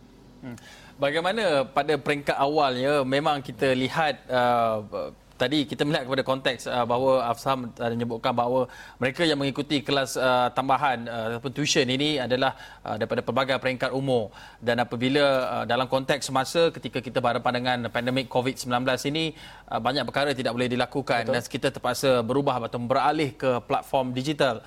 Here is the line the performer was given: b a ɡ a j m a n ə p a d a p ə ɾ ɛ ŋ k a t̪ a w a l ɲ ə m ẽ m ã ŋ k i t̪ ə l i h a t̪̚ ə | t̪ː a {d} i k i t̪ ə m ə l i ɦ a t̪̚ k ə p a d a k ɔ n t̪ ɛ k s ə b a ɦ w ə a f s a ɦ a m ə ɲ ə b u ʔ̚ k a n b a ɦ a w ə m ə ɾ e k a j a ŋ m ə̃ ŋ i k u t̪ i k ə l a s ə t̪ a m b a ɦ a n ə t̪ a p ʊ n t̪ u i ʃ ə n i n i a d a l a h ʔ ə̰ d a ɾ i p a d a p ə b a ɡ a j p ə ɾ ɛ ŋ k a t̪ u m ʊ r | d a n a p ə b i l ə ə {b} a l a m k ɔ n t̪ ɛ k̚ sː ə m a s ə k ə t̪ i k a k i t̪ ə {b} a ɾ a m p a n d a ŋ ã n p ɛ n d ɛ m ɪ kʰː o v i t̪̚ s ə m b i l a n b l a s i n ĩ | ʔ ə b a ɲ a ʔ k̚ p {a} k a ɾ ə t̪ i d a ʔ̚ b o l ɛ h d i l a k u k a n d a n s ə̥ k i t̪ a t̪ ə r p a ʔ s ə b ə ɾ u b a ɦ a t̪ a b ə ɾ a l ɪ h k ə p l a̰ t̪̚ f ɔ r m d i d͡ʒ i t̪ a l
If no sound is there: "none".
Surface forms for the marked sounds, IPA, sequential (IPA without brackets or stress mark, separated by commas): d, d, b, ə